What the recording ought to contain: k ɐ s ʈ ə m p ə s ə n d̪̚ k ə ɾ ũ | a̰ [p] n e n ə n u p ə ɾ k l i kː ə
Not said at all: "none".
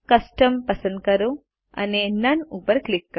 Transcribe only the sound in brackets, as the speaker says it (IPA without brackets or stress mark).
none